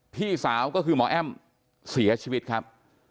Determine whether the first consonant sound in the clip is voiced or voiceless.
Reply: voiceless